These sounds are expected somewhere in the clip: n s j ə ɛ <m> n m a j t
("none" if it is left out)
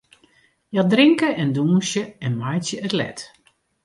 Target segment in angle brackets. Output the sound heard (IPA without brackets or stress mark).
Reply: none